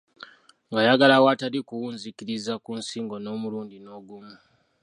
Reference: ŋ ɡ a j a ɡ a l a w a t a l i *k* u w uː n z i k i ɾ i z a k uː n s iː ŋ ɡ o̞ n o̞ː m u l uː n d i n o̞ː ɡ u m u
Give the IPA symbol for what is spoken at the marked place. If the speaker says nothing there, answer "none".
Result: k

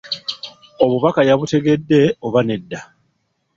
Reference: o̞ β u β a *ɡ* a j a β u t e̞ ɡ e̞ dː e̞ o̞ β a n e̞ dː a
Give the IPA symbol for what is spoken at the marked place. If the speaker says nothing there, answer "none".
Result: k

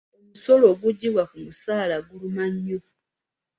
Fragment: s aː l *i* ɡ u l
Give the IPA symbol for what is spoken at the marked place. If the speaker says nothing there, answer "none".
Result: a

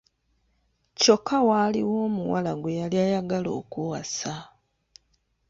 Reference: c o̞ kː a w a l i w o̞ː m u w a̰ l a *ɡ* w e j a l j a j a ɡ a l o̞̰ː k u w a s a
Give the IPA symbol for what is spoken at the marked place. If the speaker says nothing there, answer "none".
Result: ɡ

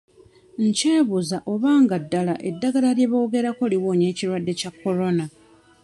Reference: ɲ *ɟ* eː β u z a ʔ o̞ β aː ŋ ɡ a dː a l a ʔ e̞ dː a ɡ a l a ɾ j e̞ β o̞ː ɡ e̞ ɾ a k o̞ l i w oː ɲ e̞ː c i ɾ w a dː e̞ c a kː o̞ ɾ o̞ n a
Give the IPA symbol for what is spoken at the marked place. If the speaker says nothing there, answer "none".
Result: c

